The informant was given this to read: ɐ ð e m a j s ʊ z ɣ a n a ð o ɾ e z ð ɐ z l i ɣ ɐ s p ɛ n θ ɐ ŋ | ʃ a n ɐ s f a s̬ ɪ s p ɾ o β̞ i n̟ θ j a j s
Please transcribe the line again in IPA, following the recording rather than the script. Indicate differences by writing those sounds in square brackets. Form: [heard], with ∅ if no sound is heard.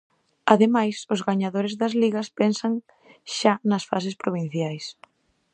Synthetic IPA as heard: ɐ ð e m a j s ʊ z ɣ a [ɲ] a ð o ɾ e z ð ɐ z l i ɣ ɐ s p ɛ n [s] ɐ ŋ | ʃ a n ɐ s f a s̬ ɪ s p ɾ o β̞ i n̟ θ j a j s